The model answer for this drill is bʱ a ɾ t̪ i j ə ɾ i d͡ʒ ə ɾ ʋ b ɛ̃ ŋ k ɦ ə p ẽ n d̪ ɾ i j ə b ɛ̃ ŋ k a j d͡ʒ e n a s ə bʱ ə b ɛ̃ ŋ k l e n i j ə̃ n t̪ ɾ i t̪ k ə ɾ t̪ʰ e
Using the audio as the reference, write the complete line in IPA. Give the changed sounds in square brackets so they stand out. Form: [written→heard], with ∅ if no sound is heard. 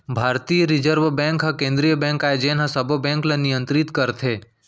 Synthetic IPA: bʱ a ɾ t̪ i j ə ɾ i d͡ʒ ə ɾ ʋ b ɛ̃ ŋ k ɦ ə [p→k] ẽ n d̪ ɾ i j ə b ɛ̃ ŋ k a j d͡ʒ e n a s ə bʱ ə b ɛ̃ ŋ k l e n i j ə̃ n t̪ ɾ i t̪ k ə ɾ t̪ʰ e